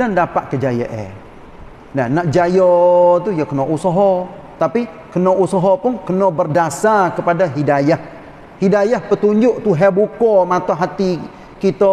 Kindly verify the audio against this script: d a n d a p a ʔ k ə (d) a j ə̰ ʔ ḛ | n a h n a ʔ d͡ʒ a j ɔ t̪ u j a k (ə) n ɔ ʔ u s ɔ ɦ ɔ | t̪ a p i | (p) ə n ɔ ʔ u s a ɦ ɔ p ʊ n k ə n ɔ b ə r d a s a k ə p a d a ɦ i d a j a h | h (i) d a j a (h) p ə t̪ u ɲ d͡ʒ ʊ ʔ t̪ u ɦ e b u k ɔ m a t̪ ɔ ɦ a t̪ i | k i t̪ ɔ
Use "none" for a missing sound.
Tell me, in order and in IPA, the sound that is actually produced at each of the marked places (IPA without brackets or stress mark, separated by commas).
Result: d͡ʒ, ə, k, i, h